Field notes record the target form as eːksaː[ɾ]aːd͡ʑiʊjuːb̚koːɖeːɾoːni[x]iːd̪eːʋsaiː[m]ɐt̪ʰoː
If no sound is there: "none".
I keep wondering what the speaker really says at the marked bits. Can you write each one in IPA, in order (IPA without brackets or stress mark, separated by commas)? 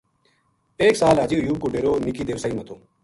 l, k, m